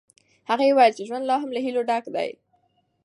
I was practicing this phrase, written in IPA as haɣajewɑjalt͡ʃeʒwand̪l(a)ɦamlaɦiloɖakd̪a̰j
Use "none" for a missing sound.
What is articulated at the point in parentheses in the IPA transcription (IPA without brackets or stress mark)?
ɑ